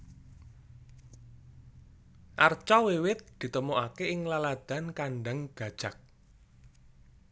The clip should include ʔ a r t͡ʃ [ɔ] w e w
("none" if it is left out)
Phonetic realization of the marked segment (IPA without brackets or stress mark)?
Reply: ɔ